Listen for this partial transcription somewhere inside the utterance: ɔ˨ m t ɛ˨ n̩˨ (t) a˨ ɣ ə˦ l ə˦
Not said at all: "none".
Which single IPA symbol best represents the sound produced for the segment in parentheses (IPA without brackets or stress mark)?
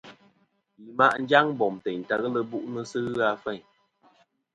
t